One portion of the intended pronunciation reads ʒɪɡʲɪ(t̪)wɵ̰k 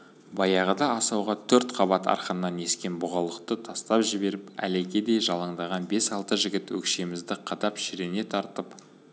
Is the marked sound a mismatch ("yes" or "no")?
no